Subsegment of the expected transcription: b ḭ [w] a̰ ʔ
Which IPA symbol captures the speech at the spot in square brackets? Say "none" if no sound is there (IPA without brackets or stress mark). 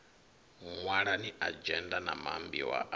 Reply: w